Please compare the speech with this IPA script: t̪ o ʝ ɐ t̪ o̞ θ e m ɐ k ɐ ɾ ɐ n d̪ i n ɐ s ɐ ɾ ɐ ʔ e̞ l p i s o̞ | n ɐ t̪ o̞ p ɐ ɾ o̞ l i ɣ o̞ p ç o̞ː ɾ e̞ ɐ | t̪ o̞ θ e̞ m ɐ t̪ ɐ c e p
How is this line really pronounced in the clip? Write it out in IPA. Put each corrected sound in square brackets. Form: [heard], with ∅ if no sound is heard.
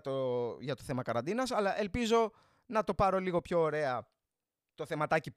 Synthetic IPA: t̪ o ʝ ɐ t̪ o̞ θ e m ɐ k ɐ ɾ ɐ n d̪ i n ɐ s ɐ [l] ɐ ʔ e̞ l p i [z] o̞ | n ɐ t̪ o̞ p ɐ ɾ o̞ l i ɣ o̞ p ç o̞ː ɾ e̞ ɐ | t̪ o̞ θ e̞ m ɐ t̪ ɐ c [i] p